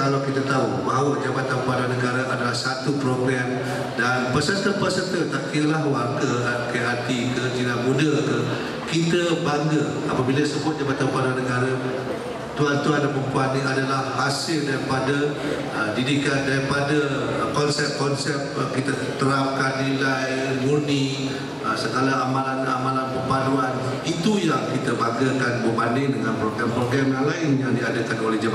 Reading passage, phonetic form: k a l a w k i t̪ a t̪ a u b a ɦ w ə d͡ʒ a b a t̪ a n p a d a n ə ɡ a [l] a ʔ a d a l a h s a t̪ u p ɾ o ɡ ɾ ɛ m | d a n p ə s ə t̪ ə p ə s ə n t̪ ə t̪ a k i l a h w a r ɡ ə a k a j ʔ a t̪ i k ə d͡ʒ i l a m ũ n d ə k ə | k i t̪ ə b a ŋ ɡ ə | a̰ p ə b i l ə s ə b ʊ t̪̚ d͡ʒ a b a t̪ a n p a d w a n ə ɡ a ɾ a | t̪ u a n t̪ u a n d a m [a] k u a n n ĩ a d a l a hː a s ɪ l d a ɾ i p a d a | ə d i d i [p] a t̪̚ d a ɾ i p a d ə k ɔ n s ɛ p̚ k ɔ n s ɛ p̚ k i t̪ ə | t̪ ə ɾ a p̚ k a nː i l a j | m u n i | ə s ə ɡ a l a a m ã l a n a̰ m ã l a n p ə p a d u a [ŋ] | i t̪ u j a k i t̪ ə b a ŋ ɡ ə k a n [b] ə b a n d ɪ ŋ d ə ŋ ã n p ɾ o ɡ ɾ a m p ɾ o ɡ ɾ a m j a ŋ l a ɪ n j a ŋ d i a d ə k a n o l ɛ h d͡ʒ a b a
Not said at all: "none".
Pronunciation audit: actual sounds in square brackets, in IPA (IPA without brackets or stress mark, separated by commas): ɾ, ə, k, n, b